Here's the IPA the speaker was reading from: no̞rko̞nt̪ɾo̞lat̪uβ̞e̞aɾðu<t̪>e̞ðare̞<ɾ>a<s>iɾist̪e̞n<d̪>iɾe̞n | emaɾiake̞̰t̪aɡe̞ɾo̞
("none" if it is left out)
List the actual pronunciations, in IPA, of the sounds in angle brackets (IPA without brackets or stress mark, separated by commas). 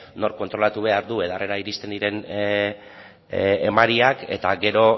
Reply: none, ɾ, none, d̪